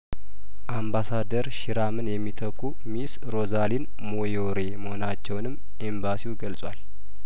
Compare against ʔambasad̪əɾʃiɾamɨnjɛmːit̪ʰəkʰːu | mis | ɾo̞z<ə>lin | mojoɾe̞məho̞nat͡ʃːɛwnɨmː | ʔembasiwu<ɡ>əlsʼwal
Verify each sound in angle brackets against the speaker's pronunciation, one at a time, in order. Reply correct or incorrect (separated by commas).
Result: incorrect, correct